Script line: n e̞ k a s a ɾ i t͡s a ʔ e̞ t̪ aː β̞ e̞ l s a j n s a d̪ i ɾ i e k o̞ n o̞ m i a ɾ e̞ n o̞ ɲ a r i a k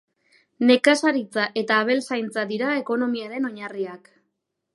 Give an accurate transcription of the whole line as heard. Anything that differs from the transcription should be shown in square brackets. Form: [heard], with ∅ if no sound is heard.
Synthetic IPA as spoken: n e̞ k a s a ɾ i t͡s a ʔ e̞ t̪ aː β̞ e̞ l s a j n [t͡s] a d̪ i ɾ [a] e k o̞ n o̞ m i a ɾ e̞ n o̞ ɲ a r i a k